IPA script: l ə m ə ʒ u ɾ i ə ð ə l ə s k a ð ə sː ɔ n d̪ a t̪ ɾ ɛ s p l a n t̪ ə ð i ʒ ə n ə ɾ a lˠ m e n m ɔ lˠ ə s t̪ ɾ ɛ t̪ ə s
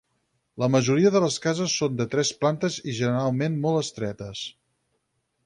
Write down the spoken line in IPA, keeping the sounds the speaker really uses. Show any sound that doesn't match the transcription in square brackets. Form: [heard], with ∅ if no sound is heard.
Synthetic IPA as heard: l ə m ə ʒ u ɾ i ə ð ə l ə s k a [z] ə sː [o] n d̪ [ə] t̪ ɾ ɛ s p l a n t̪ ə [z] i ʒ ə n ə ɾ a lˠ m e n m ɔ lˠ ə s t̪ ɾ ɛ t̪ ə s